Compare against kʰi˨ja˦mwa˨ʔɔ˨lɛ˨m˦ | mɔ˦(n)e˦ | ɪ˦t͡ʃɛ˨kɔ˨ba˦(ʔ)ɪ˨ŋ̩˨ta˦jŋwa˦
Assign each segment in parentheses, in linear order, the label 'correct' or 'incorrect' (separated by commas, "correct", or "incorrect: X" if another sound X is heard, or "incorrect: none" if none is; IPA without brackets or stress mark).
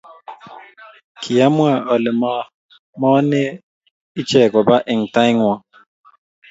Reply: correct, correct